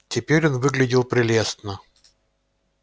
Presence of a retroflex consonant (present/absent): absent